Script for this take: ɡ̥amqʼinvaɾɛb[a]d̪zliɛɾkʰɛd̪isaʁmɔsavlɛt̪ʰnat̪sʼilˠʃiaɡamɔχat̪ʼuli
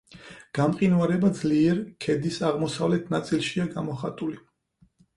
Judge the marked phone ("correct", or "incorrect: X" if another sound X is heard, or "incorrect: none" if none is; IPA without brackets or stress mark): correct